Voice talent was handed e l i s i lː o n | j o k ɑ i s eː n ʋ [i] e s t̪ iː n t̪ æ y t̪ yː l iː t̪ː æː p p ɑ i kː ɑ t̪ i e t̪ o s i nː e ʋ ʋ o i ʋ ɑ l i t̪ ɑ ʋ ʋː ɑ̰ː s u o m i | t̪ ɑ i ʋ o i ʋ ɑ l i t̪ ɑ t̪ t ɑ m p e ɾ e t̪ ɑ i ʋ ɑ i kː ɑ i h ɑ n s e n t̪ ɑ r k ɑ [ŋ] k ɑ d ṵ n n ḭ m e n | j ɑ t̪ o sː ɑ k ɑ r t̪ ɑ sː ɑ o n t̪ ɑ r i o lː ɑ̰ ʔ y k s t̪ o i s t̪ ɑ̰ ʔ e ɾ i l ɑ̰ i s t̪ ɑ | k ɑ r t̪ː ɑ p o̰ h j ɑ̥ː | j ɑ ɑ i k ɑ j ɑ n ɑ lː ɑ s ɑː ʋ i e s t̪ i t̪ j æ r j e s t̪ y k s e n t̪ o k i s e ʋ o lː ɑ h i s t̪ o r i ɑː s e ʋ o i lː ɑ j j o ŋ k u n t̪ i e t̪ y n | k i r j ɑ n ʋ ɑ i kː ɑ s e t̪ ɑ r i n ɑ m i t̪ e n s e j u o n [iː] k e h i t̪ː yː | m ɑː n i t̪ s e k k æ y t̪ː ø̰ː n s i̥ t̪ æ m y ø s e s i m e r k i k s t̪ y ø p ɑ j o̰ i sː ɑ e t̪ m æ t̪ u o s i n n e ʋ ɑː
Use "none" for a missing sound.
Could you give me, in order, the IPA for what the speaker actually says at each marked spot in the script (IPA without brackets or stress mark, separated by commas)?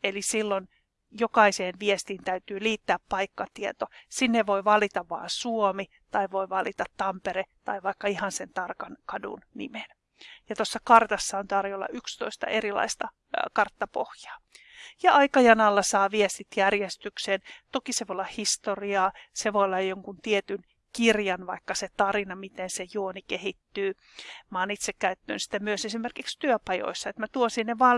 i, n, i